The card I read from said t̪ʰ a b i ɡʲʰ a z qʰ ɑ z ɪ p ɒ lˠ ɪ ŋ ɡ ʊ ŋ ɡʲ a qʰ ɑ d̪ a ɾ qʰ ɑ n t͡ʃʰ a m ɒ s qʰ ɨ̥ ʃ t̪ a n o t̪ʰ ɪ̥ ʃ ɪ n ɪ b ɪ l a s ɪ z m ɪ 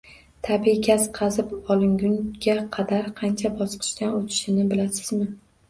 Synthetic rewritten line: t̪ʰ a b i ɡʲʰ a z qʰ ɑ z ɪ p ɒ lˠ ɪ ŋ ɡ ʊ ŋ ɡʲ a qʰ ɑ d̪ a ɾ qʰ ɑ n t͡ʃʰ a b ɒ s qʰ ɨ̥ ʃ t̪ a n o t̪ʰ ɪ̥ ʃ ɪ n ɪ b ɪ l a s ɪ z m ɪ